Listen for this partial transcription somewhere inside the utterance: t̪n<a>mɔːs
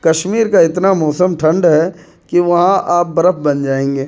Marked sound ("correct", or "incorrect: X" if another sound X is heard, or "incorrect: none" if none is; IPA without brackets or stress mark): correct